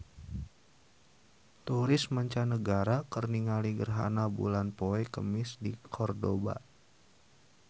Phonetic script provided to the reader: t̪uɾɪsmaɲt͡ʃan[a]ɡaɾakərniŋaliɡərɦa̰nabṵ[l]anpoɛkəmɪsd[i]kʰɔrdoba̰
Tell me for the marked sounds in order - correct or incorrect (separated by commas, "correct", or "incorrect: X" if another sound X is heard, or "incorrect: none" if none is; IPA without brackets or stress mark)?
incorrect: ə, correct, correct